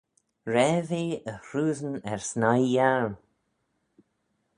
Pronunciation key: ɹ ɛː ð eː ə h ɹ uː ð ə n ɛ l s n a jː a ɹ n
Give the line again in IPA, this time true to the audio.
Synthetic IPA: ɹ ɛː v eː ə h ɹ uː z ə n ɛ ɹ s n a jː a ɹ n